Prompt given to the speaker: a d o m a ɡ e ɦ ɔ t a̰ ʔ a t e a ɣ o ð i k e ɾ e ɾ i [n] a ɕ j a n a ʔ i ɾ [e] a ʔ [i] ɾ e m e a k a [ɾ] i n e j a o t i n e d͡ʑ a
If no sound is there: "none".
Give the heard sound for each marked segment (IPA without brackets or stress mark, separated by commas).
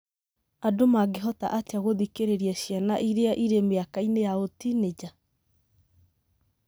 none, e, i, none